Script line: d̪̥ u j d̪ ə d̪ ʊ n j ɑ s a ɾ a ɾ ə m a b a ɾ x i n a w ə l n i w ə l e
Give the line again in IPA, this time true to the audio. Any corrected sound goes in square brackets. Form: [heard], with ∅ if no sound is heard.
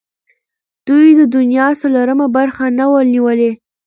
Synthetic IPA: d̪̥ u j d̪ ə d̪ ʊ n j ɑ s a [l] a ɾ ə m a b a ɾ x [a] n a w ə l n i w ə l e

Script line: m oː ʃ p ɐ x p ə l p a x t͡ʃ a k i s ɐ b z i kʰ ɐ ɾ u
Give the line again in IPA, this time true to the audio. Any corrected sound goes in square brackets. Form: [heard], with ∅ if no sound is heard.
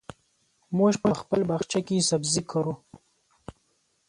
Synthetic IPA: m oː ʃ p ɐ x p ə l [b] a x t͡ʃ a k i s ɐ b z i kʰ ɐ ɾ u

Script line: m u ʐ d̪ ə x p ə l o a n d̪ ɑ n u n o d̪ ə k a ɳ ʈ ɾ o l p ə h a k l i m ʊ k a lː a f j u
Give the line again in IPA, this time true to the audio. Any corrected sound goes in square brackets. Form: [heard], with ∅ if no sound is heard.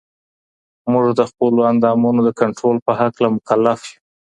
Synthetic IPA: m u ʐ d̪ ə x p ə l o a n d̪ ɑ [m] u n o d̪ ə k a ɳ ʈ ɾ o l p ə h a k l [a] m ʊ k a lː a f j u

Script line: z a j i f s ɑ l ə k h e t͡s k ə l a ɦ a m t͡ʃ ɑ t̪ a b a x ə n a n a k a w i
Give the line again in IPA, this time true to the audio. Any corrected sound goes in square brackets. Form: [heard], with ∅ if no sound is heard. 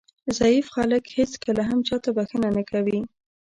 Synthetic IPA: z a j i f [x] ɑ l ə k h e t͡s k ə l a ɦ a m t͡ʃ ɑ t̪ a b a x ə n a n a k a w i

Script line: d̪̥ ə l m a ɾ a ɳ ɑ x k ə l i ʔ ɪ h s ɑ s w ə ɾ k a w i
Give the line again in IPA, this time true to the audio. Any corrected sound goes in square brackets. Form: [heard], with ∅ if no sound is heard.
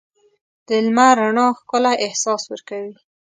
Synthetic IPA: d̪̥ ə l m a ɾ a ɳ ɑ x k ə l [a] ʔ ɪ h s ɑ s w ə ɾ k a w i

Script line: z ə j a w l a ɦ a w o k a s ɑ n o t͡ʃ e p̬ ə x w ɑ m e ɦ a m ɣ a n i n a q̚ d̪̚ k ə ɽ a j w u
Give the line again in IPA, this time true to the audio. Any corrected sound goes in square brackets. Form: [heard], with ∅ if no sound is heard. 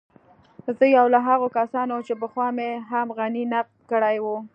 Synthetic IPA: z ə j a w l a ɦ a [ɣ] o k a s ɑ n o t͡ʃ e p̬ ə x w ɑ m e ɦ a m ɣ a n i n a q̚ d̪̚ k ə ɽ a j w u

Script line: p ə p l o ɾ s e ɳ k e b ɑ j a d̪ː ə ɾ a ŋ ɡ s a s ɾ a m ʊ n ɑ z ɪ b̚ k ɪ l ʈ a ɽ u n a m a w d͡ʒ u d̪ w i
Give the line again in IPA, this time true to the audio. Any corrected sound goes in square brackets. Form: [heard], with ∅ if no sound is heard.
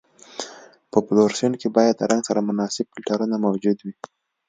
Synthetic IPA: p ə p l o ɾ s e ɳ k e b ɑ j a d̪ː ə ɾ a ŋ ɡ s a [∅] ɾ a m ʊ n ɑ [s] ɪ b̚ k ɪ l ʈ a [ɾ] u n a m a w d͡ʒ u d̪ w i

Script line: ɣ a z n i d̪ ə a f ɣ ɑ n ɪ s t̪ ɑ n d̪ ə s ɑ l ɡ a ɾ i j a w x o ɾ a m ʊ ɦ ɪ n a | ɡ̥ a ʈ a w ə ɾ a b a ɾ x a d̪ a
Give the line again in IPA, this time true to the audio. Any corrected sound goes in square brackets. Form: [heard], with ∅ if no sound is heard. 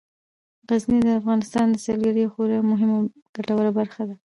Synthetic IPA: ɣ a z n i d̪ ə a f ɣ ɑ n ɪ s t̪ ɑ n d̪ ə s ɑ l ɡ a ɾ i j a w x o ɾ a m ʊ ɦ ɪ [m] a | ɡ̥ a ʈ a w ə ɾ a b a ɾ x a d̪ a

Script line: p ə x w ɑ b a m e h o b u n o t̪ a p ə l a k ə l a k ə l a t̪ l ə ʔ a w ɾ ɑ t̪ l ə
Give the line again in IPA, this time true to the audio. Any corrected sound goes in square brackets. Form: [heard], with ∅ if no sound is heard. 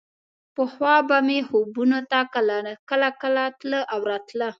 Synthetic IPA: p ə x w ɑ b a m e h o b u n o t̪ a [k] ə l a k ə l a k ə l a t̪ l ə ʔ a w ɾ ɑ t̪ l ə

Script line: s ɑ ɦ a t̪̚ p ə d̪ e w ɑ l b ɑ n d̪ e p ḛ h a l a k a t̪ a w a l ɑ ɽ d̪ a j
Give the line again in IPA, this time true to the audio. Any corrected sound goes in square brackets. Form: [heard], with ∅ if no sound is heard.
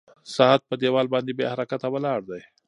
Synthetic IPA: s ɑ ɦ a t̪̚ p ə d̪ e w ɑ l b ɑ n d̪ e [b] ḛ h a [ɾ] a k a t̪ a w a l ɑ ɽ d̪ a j

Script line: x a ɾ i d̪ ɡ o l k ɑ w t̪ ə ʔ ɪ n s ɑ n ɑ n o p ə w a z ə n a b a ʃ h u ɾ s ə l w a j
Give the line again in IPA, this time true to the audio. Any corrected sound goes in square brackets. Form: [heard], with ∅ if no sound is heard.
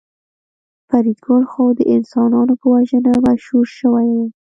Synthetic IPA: [f] a ɾ i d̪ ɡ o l [x] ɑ w [d̪] ə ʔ ɪ n s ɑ n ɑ n o p ə w a [ʒ] ə n a [m] a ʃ h u ɾ [ʃ] ə [∅] w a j

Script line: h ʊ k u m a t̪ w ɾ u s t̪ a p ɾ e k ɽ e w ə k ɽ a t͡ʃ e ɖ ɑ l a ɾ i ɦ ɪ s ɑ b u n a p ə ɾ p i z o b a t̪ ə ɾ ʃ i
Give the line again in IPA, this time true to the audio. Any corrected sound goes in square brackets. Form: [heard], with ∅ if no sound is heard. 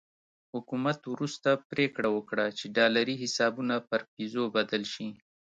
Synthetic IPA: h ʊ k u m a t̪ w ɾ u s t̪ a p ɾ e k ɽ [a] w ə k ɽ a t͡ʃ e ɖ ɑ l a ɾ i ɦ ɪ s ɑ b u n a p ə ɾ p i z o b a [d̪] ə [l] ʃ i

